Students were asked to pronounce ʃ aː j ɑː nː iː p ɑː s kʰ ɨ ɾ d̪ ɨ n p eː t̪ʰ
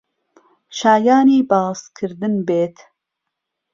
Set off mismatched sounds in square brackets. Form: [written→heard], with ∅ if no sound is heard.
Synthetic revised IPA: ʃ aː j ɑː [nː→n] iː [p→b] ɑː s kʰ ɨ ɾ d̪ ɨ n [p→b] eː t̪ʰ